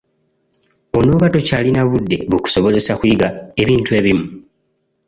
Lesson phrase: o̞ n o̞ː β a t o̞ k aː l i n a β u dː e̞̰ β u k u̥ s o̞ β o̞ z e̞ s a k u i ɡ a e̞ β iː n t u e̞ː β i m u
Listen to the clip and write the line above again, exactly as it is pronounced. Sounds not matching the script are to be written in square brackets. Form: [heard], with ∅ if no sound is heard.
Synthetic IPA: o̞ n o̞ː β a t o̞ [c] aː l i n a β u dː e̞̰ β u k u̥ s o̞ β o̞ z e̞ s a k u i ɡ a e̞ β iː n t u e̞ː β i m u